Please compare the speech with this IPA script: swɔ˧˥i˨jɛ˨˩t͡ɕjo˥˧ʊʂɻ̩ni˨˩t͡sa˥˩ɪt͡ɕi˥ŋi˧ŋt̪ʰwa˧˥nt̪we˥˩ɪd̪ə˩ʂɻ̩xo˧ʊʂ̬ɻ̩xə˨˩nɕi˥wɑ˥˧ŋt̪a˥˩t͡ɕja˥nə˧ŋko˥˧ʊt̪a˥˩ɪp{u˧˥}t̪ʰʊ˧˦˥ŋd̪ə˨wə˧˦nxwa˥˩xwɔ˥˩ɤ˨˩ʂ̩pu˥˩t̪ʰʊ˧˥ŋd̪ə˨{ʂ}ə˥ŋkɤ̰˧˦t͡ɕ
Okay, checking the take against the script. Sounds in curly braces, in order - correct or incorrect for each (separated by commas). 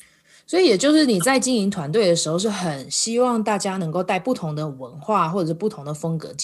incorrect, incorrect